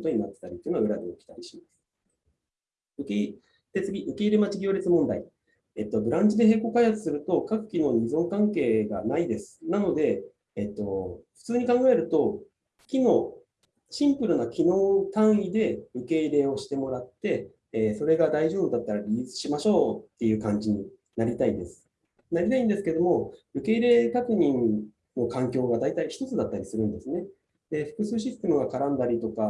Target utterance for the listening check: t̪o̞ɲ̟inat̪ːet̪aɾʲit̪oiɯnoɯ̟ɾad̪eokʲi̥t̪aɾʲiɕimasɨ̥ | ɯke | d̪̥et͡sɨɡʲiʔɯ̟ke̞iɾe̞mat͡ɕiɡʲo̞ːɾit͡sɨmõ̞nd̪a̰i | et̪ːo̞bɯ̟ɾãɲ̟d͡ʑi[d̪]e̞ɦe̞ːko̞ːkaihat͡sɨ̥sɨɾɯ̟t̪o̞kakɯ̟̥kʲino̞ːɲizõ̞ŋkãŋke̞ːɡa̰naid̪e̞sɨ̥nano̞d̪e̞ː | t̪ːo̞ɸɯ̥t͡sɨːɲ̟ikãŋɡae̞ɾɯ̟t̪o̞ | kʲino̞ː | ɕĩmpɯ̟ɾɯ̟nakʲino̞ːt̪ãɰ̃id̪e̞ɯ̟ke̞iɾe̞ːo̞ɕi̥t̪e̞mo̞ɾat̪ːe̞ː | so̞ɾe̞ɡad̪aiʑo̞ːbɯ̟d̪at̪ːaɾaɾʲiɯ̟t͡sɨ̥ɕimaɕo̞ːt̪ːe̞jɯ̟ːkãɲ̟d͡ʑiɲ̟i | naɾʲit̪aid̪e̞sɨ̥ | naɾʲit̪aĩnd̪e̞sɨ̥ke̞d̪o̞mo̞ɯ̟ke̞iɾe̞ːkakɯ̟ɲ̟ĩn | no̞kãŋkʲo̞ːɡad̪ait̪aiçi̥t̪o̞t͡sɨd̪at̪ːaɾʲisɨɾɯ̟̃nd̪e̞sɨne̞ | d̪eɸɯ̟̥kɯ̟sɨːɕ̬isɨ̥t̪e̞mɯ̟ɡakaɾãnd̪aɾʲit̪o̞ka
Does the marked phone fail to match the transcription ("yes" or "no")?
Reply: no